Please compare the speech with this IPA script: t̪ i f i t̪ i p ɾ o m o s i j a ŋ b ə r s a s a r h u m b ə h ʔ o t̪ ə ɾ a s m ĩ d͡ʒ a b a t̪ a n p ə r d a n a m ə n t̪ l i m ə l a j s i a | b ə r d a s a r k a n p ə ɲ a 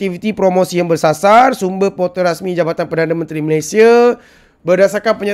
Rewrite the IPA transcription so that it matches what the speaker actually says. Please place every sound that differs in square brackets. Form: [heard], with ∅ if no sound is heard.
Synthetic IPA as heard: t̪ i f i t̪ i p ɾ o m o s i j a ŋ b ə r s a s a r [s] u m b ə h [p] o t̪ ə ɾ a s m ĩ d͡ʒ a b a t̪ a n p ə r d a n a m ə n t̪ [ɾ] i m ə l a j s i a | b ə r d a s a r k a n p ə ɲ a